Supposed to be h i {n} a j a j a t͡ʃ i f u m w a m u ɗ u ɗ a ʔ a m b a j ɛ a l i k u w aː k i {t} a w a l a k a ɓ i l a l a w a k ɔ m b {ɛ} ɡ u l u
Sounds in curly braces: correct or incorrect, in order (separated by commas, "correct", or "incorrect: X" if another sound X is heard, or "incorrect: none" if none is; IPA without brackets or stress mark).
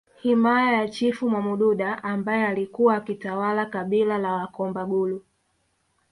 incorrect: m, correct, incorrect: a